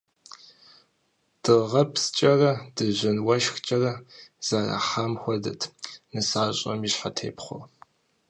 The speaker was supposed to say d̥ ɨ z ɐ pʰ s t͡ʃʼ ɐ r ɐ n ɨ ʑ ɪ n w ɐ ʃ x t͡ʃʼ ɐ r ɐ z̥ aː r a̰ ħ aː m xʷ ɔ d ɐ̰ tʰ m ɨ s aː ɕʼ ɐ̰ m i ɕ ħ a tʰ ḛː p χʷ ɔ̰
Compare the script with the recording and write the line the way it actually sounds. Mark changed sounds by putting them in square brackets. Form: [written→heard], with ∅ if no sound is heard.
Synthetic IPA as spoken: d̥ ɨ [z→ʁ] ɐ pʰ s t͡ʃʼ ɐ r ɐ [n→d] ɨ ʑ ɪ n w ɐ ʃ x t͡ʃʼ ɐ r ɐ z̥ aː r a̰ ħ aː m xʷ ɔ d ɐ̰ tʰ [m→n] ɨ s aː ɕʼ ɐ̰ m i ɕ ħ a tʰ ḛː p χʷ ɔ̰

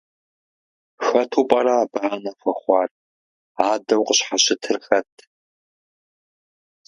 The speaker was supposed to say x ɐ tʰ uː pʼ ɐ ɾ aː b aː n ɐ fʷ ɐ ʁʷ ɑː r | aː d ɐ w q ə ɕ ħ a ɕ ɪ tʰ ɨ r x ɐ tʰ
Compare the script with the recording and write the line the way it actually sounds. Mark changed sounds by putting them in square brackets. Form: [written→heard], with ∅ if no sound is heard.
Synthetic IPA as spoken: x ɐ tʰ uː pʼ ɐ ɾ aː b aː n ɐ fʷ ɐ [ʁʷ→χʷ] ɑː r | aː d ɐ w q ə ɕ ħ a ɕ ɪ tʰ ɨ r x ɐ tʰ

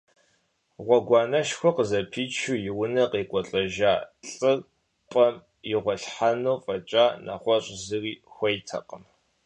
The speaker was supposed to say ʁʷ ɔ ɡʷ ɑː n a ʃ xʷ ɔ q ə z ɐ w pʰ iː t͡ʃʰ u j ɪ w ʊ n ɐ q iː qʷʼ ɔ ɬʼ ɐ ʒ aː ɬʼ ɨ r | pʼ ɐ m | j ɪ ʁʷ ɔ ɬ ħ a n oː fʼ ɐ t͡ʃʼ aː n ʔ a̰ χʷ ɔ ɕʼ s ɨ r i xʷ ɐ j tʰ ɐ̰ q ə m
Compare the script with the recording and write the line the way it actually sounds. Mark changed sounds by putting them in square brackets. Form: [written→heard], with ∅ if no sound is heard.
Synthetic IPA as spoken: ʁʷ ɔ ɡʷ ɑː n [a→ɐ] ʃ xʷ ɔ q ə z ɐ [w→∅] pʰ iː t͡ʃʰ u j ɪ w ʊ n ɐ q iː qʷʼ ɔ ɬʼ ɐ ʒ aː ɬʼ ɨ r | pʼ ɐ m | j ɪ ʁʷ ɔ ɬ ħ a n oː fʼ ɐ t͡ʃʼ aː n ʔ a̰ χʷ ɔ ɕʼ [s→z] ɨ r [i→iː] xʷ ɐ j tʰ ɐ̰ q ə m

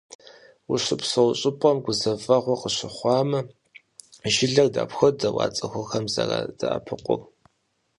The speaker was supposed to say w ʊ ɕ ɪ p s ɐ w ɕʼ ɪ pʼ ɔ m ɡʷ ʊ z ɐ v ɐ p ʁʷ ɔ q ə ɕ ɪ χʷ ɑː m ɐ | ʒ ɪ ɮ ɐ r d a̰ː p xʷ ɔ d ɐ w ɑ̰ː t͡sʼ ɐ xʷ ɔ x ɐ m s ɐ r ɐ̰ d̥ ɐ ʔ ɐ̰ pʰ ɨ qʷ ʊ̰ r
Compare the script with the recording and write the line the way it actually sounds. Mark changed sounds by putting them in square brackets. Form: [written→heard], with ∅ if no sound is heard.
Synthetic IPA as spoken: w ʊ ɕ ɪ p s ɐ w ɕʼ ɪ pʼ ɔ m ɡʷ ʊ z ɐ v ɐ [p→∅] ʁʷ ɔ q ə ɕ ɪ χʷ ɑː m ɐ | ʒ ɪ ɮ ɐ r d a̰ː p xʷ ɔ d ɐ w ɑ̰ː t͡sʼ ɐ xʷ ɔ x ɐ m [s→z] ɐ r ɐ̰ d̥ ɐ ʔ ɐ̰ pʰ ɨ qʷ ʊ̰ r

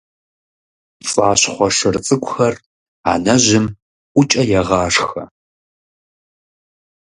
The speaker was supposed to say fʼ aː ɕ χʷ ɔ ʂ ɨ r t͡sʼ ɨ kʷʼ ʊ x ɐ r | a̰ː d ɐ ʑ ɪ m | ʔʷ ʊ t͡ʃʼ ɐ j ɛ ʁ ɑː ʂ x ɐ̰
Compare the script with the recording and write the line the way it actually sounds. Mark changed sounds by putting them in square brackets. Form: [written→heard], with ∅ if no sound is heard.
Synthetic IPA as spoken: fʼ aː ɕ χʷ ɔ ʂ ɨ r t͡sʼ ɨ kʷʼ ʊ x ɐ r | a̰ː [d→n] ɐ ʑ ɪ m | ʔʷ ʊ t͡ʃʼ ɐ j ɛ ʁ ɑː ʂ x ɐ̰

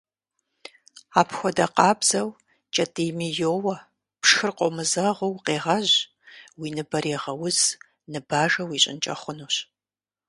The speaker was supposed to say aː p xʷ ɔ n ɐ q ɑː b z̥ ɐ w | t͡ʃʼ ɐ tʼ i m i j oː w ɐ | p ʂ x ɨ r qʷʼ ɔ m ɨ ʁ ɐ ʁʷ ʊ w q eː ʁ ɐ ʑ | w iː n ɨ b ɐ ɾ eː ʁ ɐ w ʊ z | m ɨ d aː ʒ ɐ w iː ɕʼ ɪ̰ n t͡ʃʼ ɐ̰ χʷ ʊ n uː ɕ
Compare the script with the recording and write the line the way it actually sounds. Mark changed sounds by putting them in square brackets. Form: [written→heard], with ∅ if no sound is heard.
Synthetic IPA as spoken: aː p xʷ ɔ [n→d] ɐ q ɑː b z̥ ɐ w | t͡ʃʼ ɐ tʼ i m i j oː w ɐ | p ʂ x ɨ r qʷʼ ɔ m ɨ [ʁ→z] ɐ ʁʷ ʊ w q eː ʁ ɐ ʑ | w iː n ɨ b ɐ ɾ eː ʁ ɐ w ʊ z | [m→n] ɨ [d→b] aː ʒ ɐ w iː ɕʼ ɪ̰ n t͡ʃʼ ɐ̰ χʷ ʊ n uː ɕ

